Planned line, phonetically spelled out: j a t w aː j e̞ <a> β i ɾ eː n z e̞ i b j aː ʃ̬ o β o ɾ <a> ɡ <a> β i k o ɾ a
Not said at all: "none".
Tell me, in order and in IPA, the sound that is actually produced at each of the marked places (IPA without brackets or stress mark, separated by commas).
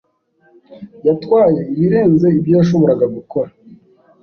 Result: i, a, a